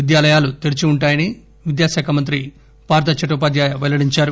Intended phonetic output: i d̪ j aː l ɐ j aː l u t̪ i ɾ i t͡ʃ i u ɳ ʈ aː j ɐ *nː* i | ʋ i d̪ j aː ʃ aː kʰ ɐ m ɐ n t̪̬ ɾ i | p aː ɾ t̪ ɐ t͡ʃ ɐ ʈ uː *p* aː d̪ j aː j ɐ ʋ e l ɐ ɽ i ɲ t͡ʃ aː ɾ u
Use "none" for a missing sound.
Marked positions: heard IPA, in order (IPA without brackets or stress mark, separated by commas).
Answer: n, p